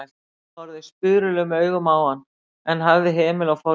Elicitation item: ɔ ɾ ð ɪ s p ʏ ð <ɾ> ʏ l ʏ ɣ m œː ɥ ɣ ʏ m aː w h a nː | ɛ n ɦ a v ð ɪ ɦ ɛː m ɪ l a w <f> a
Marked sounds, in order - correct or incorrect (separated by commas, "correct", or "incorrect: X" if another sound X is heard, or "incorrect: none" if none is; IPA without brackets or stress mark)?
correct, correct